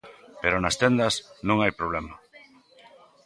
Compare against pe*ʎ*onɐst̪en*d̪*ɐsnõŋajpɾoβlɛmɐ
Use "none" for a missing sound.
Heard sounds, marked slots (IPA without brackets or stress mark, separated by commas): ɾ, d̪